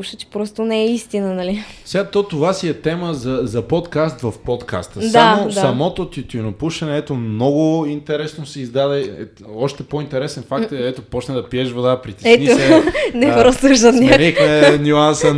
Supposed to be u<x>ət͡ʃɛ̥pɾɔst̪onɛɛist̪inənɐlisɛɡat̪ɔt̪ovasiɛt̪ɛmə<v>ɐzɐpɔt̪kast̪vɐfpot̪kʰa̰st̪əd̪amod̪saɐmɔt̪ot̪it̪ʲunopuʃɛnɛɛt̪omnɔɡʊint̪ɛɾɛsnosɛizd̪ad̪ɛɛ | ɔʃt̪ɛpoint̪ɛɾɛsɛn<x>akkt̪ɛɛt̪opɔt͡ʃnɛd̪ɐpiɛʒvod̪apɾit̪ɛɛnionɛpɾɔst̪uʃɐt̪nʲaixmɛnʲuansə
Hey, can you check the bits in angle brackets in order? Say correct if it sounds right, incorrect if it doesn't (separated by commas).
incorrect, incorrect, incorrect